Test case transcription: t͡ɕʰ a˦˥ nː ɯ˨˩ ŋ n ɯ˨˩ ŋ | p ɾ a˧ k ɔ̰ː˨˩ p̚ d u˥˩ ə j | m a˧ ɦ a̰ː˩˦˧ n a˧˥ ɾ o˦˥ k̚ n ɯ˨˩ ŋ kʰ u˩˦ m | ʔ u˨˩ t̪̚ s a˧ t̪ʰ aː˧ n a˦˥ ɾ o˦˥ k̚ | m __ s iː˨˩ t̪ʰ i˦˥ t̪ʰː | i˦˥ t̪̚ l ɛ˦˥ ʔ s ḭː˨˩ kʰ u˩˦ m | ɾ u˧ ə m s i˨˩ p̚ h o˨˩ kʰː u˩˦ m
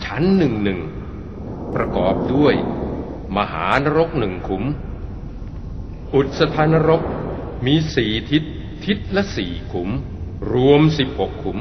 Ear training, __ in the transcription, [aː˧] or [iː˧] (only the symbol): iː˧